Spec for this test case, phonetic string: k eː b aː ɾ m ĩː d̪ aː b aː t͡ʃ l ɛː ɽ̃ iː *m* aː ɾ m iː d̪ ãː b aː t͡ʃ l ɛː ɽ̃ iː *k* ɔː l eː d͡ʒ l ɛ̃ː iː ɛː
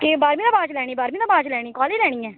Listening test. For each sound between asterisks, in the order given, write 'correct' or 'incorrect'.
incorrect: b, correct

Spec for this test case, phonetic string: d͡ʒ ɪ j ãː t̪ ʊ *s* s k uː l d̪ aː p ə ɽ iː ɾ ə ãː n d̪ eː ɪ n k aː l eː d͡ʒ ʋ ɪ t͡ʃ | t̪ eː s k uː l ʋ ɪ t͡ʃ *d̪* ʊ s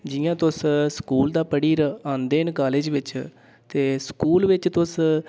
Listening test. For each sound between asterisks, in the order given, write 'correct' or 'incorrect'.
correct, incorrect: t̪

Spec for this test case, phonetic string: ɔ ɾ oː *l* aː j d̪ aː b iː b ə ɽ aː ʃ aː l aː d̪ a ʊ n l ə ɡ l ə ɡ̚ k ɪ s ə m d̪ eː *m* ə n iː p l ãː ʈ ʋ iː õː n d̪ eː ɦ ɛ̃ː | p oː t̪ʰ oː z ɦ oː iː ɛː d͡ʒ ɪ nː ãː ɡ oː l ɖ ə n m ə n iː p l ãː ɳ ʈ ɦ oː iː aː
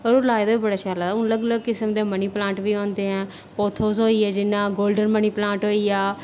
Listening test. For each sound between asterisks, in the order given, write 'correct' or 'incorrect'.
correct, correct

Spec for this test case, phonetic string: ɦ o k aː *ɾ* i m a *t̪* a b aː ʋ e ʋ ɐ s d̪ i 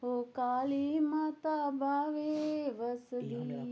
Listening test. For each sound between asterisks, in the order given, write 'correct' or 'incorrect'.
incorrect: l, correct

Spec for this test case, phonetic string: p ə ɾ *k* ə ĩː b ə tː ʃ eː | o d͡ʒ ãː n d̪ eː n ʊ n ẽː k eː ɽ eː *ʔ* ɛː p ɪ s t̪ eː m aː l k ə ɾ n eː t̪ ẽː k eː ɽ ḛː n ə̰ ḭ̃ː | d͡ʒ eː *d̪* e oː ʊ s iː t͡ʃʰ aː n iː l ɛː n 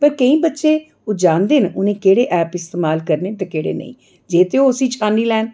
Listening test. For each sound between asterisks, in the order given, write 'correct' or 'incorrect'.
correct, correct, incorrect: t̪

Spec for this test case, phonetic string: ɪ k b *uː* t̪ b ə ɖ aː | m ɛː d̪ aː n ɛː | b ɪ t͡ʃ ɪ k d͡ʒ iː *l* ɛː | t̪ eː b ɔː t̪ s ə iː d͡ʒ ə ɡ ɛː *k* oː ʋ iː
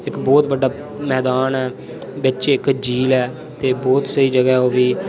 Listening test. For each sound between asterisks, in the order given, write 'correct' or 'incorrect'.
incorrect: ɔː, correct, incorrect: none

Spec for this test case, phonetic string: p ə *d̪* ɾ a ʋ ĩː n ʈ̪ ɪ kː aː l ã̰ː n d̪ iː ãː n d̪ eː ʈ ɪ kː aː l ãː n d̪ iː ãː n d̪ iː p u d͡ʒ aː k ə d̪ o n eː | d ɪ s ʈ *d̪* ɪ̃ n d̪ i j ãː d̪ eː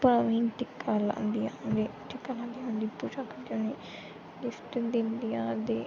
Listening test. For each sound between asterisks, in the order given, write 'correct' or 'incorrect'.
incorrect: none, correct

